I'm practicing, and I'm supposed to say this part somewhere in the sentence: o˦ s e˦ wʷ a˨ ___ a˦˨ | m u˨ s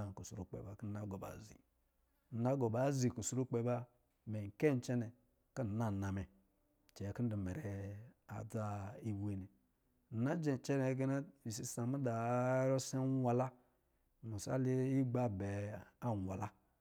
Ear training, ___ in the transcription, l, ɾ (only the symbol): l